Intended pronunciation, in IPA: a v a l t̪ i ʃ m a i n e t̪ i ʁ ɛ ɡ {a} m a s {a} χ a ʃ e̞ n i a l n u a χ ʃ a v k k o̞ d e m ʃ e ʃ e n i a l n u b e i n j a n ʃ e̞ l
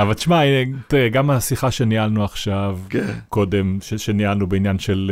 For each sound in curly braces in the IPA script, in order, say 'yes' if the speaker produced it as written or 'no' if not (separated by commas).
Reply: yes, no